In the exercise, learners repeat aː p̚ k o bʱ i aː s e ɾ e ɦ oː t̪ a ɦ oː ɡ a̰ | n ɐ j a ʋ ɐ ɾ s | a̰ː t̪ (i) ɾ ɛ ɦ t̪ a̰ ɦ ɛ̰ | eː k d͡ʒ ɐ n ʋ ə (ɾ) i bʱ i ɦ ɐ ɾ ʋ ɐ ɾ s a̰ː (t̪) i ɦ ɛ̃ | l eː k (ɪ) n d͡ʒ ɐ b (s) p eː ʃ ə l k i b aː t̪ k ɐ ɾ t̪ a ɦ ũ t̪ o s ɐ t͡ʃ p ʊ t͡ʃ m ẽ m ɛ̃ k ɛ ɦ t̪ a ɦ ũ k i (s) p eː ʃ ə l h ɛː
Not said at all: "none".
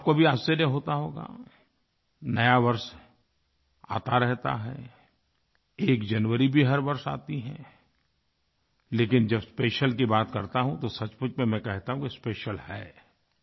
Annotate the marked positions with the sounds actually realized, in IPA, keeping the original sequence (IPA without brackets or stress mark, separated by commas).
a, ɾ, t̪, ɪ, s, s